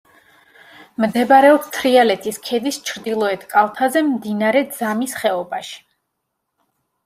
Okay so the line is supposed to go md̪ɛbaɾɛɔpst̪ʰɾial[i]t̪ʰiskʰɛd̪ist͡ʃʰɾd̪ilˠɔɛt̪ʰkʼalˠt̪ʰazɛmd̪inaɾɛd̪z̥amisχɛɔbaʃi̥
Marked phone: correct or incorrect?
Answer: incorrect